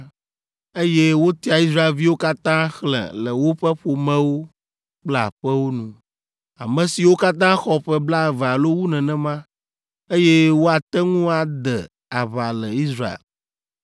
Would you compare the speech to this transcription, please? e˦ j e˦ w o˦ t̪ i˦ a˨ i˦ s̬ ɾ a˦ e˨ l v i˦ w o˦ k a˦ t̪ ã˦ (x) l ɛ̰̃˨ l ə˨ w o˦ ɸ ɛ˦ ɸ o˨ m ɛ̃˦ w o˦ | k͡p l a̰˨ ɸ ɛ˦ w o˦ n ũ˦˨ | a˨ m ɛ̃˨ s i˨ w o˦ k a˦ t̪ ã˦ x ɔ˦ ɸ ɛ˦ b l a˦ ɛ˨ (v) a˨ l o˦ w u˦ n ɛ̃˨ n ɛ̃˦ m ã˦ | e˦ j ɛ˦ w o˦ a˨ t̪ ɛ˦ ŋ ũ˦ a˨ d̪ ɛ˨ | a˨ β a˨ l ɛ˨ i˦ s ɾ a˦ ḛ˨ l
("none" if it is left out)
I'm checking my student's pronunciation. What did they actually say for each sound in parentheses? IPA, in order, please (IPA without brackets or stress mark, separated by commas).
x, v